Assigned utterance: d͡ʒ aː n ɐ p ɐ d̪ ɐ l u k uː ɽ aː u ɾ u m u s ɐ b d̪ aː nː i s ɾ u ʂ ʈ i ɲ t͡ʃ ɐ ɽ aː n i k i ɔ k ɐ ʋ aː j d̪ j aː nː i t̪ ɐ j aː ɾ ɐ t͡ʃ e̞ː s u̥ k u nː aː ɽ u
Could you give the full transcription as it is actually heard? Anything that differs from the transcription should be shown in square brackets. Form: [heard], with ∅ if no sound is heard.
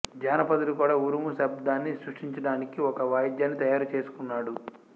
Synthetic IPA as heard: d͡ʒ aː n ɐ p ɐ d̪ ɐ l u k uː ɽ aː u ɾ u m u s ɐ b d̪ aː nː i s ɾ u ʂ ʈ i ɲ t͡ʃ ɐ ɽ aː n i k i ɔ k ɐ ʋ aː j d̪ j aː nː i t̪ ɐ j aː ɾ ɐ t͡ʃ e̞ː s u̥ k u nː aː ɽ u